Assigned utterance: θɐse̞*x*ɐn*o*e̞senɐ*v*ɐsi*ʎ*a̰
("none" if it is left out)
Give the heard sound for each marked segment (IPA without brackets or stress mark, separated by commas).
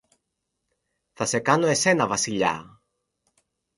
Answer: k, o, v, ʎ